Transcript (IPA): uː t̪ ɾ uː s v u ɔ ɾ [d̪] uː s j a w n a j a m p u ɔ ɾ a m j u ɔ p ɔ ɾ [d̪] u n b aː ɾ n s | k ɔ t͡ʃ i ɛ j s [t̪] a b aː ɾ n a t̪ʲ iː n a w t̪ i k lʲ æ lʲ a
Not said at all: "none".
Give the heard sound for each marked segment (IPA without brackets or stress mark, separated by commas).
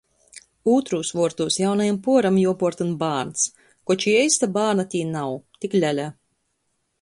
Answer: t̪, t̪, t̪